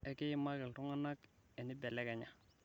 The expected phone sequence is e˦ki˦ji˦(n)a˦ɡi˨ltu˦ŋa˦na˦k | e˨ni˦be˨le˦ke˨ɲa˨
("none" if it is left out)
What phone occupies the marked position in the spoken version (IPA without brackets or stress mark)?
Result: m